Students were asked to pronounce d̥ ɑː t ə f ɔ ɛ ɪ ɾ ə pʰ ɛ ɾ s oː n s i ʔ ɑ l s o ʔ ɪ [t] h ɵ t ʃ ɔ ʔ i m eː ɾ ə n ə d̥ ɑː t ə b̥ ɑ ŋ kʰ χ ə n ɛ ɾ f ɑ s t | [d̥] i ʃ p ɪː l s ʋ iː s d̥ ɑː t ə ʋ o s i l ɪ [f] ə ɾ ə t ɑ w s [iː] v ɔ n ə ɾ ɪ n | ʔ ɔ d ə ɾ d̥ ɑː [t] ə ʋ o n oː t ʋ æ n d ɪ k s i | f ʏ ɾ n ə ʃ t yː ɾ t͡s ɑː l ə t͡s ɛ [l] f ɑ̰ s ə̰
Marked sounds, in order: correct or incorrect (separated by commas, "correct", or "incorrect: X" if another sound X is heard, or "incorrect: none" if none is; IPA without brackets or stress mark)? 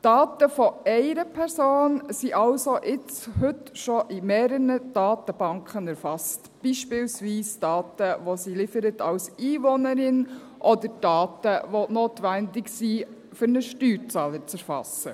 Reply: incorrect: t͡s, incorrect: b̥, correct, correct, correct, incorrect: ɾ